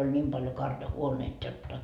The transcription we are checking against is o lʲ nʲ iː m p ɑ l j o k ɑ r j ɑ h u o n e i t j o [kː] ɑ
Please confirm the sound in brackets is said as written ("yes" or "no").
no